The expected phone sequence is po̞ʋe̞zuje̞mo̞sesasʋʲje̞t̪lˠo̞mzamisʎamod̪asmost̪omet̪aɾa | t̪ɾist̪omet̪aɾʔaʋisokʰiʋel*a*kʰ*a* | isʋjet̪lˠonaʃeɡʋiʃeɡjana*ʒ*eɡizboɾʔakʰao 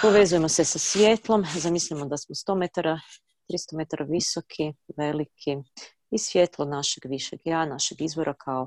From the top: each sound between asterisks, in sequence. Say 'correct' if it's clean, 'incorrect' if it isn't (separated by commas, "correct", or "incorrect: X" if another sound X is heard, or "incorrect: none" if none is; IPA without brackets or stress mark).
incorrect: i, incorrect: i, incorrect: ʃ